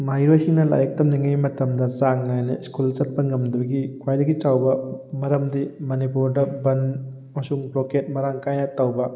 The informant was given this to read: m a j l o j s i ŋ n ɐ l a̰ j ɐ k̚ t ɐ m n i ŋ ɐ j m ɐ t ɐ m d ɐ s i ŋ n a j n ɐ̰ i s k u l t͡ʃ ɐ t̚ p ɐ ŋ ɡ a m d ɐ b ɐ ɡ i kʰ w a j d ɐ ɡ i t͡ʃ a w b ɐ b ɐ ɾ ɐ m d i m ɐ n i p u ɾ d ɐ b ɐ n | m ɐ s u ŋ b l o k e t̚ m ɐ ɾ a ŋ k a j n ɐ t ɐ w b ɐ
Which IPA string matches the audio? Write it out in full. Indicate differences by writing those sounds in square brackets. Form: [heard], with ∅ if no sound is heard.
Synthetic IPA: m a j [ɾ] o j s i ŋ n ɐ l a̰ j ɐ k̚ t ɐ m n i ŋ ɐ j m ɐ t ɐ m d ɐ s [a] ŋ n a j n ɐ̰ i s k u l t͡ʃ ɐ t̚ p ɐ ŋ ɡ [ɐ] m d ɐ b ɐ ɡ i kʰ w a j d ɐ ɡ i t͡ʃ a w b ɐ [m] ɐ ɾ ɐ m d i m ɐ n i p u ɾ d ɐ b ɐ n | m ɐ s u ŋ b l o k e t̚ m ɐ ɾ a ŋ k a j n ɐ t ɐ w b ɐ